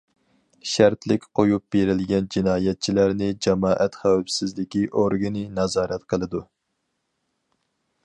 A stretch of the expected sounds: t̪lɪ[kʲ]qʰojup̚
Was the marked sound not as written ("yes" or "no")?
no